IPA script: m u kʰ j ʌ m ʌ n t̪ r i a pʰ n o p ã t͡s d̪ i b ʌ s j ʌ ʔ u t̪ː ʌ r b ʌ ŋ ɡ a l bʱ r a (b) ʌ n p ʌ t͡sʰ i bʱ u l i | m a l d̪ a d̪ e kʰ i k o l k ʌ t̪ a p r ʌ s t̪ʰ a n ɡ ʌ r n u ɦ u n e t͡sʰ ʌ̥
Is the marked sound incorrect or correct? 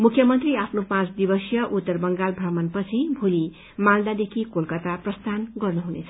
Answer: incorrect